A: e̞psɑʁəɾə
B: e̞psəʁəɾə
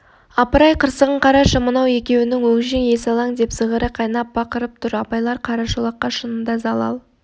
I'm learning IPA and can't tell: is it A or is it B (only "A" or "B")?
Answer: B